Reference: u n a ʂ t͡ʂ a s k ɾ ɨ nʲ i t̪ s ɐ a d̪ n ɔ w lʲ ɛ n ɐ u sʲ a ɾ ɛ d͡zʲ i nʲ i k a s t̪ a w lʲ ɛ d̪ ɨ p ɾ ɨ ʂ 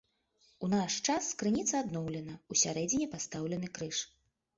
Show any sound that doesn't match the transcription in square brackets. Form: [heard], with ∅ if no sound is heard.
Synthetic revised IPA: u n a ʂ t͡ʂ a s k ɾ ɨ nʲ i t̪ s ɐ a d̪ n ɔ w lʲ ɛ n ɐ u sʲ a ɾ ɛ d͡zʲ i nʲ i [p] a s t̪ a w lʲ ɛ [n̪] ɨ [k] ɾ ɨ ʂ